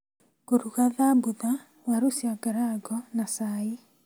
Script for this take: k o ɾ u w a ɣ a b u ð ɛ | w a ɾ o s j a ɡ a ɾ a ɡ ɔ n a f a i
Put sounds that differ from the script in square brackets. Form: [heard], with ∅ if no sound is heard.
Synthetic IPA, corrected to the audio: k o ɾ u [ɣ] a [ð] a b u ð [a] | w a ɾ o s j a ɡ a ɾ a ɡ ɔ n a [s] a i